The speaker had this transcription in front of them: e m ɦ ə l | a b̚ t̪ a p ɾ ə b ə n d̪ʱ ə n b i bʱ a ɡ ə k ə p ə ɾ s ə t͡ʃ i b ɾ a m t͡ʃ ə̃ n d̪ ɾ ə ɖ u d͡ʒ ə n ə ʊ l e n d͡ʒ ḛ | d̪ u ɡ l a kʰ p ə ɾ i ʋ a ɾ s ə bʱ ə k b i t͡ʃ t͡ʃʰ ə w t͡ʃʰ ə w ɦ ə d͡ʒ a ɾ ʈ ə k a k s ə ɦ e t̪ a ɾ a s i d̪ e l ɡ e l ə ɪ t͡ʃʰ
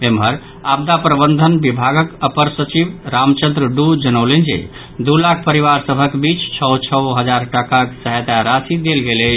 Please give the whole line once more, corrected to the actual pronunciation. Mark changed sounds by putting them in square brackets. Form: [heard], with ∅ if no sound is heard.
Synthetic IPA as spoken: e m ɦ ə [ɾ] | a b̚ [d̪] a p ɾ ə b ə n d̪ʱ ə n b i bʱ a ɡ ə k ə p ə ɾ s ə t͡ʃ i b ɾ a m t͡ʃ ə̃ n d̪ ɾ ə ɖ u d͡ʒ ə n ə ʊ l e n d͡ʒ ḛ | d̪ u [∅] l a kʰ p ə ɾ i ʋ a ɾ s ə bʱ ə k b i t͡ʃ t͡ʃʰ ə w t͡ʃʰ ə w ɦ ə d͡ʒ a ɾ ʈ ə k a k s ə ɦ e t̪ a ɾ a s i d̪ e l ɡ e l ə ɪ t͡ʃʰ